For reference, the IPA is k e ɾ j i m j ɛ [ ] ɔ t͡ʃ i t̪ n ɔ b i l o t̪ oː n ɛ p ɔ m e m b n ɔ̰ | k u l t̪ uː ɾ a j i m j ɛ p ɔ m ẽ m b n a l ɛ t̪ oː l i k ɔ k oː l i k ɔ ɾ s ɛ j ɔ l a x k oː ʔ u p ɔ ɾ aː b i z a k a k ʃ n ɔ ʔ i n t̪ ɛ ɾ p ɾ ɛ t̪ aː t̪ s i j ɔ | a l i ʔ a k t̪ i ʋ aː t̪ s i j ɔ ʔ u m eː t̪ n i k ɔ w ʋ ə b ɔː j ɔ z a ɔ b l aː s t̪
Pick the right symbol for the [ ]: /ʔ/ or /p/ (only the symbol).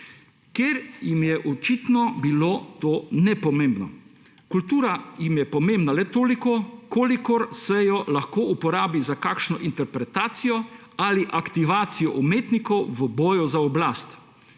ʔ